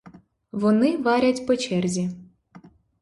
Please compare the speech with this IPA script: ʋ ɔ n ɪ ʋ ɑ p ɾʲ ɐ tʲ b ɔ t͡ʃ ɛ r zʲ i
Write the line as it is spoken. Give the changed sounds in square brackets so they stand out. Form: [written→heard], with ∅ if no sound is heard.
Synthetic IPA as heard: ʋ ɔ n ɪ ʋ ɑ [p→∅] ɾʲ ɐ tʲ [b→p] ɔ t͡ʃ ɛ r zʲ i